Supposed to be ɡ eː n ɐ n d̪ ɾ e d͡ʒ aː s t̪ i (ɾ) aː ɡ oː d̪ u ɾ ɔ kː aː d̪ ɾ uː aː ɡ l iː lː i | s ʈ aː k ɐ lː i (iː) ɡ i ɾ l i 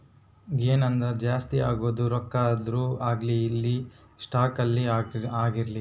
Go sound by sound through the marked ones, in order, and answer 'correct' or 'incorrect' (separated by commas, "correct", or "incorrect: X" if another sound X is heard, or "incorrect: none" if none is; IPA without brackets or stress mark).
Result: incorrect: none, incorrect: aː